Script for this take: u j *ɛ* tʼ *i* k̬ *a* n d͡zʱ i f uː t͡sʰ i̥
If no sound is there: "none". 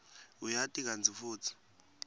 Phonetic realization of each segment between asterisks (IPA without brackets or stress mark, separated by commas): a, i, a